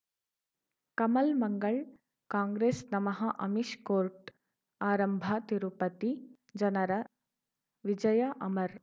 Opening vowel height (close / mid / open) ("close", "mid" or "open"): open